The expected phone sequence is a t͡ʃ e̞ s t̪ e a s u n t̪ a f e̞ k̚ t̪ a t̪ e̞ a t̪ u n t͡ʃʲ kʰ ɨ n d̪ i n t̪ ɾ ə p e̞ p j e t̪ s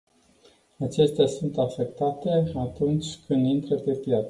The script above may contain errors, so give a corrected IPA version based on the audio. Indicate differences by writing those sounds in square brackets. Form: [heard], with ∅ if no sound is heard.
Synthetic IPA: a t͡ʃ e̞ s t̪ e a s u n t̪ a f e̞ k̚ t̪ a t̪ e̞ a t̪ u n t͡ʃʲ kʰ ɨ n d̪ i n t̪ ɾ ə p e̞ p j [a] t̪ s